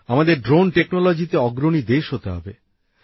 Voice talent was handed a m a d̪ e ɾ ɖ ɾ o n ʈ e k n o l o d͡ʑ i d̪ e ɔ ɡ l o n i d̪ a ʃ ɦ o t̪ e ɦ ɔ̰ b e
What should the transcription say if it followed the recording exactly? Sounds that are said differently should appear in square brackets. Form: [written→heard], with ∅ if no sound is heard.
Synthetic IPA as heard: a m a d̪ e ɾ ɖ ɾ o n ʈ e k n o l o d͡ʑ i [d̪→t̪] e ɔ ɡ [l→ɾ] o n i d̪ [a→e] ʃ ɦ o t̪ e ɦ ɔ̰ b e